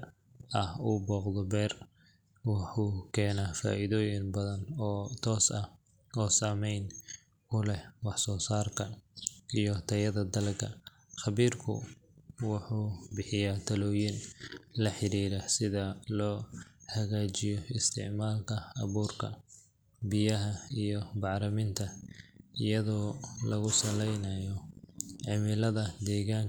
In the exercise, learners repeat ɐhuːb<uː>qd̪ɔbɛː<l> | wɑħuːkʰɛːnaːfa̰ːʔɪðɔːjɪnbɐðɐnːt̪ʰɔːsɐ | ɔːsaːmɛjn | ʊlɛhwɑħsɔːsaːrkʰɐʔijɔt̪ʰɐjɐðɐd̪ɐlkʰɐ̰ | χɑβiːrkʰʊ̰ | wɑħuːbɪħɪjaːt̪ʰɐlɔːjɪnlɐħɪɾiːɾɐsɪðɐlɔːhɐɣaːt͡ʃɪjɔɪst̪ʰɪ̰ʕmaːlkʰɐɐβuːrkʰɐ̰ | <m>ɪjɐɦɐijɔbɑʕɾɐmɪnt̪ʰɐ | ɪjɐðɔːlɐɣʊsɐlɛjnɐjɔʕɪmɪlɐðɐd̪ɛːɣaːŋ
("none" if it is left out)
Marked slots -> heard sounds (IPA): ɔː, r, b

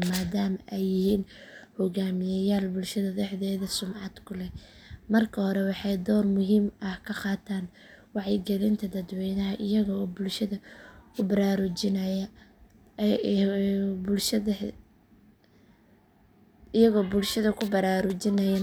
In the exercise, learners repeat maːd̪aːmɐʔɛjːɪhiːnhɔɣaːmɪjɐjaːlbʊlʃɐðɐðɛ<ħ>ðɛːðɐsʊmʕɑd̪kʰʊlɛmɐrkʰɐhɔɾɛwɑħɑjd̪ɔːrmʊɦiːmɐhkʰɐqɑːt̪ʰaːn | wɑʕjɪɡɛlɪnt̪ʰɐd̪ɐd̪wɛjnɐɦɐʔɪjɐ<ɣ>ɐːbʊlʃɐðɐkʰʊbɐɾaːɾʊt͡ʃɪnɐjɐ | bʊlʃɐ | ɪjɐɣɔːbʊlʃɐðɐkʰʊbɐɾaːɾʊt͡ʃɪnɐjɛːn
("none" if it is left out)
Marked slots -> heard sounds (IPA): ħ, ɣ

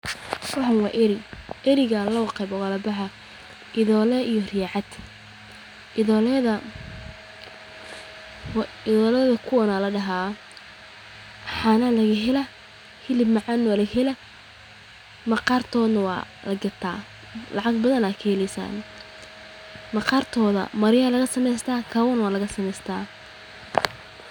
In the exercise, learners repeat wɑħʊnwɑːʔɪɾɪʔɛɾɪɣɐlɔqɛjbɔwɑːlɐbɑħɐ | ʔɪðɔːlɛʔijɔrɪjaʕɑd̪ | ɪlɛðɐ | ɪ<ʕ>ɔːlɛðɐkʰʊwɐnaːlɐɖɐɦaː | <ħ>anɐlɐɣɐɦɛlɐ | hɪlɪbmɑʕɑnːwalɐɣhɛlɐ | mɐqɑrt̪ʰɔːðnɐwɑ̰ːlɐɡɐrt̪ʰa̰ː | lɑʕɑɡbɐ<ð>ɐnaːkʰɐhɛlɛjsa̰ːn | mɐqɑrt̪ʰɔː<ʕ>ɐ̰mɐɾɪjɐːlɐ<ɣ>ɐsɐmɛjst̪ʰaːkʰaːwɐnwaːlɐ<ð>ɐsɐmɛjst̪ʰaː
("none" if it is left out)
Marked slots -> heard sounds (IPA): ð, ħ, ð, ð, ɣ, ɣ

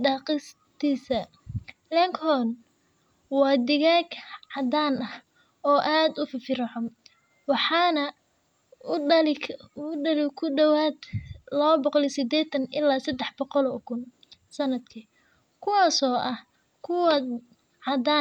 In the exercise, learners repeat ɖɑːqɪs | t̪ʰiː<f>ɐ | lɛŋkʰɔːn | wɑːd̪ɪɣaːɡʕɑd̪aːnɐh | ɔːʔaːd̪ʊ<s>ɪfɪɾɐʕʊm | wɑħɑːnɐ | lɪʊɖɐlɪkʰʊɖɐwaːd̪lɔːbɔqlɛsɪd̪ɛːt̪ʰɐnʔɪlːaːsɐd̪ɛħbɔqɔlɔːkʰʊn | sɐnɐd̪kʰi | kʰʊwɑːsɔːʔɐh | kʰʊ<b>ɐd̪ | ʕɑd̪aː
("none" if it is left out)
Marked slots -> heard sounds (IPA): s, f, w

